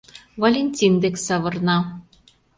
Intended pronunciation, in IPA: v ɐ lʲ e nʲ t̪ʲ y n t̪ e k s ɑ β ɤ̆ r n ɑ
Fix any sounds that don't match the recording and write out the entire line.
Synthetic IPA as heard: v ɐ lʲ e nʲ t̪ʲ i n d̪ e k s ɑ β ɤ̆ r n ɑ